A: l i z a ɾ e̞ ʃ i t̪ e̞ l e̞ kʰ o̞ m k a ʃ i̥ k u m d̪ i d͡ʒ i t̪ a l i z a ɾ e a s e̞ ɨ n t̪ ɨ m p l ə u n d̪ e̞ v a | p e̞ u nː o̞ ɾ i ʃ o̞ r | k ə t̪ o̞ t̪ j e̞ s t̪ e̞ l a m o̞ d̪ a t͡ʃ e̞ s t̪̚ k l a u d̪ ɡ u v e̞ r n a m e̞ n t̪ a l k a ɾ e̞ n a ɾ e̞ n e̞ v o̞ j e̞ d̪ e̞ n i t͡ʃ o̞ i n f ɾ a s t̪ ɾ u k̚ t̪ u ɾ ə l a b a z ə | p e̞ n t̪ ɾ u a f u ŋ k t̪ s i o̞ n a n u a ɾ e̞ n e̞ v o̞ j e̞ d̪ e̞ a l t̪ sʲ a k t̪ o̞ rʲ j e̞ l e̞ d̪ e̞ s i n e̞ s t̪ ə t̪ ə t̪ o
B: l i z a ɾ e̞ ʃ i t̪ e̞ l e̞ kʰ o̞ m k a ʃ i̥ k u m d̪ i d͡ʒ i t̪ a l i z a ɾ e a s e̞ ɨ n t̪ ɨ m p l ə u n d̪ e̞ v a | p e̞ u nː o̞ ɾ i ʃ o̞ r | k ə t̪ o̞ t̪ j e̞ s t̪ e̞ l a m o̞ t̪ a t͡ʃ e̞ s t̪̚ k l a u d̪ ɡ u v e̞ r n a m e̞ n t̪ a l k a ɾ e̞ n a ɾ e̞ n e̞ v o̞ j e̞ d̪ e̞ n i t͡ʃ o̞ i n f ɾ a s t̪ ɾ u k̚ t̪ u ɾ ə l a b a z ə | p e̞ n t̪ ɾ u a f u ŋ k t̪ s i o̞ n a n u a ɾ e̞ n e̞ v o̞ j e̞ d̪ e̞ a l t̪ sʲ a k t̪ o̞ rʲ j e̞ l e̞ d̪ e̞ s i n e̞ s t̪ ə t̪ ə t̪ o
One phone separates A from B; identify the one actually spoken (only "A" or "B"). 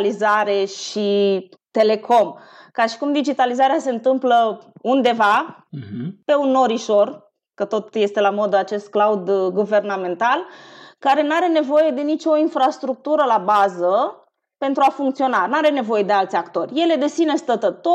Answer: A